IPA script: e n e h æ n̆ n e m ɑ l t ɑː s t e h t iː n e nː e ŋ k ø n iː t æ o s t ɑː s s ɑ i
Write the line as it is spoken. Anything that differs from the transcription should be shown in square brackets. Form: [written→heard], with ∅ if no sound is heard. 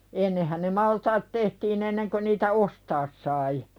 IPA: e [n→nː] e h æ n̆ n e m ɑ l t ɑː [s→t] t e h t iː n e nː e ŋ k ø n iː t æ o s t ɑː s s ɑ i